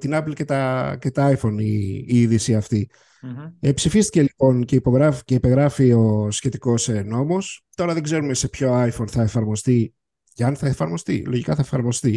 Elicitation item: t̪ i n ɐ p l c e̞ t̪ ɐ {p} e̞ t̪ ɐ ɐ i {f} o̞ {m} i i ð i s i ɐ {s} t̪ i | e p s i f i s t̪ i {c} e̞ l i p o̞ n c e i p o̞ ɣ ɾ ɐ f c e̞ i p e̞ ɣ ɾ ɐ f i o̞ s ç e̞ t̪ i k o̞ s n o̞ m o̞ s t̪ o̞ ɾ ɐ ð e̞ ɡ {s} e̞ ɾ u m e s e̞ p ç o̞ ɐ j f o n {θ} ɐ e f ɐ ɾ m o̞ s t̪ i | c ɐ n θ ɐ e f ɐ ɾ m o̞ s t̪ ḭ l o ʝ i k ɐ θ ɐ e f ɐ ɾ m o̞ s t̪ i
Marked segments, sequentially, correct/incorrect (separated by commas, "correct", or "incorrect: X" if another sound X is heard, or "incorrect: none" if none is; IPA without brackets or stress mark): incorrect: c, correct, incorrect: n, incorrect: f, correct, incorrect: z, correct